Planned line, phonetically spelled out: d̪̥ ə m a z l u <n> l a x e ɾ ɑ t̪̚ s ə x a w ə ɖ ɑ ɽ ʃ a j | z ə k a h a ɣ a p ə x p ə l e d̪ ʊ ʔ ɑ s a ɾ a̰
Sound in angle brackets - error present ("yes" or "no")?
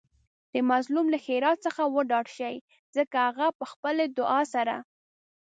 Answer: yes